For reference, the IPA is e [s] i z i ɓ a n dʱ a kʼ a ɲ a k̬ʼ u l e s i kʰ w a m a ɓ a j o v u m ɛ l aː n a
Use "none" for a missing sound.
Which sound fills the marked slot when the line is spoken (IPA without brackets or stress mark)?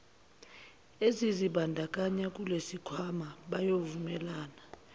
z